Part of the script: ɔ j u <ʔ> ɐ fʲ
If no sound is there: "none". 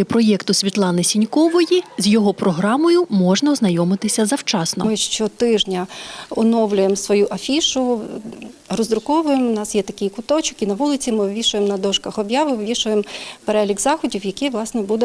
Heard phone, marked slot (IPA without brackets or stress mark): ʔ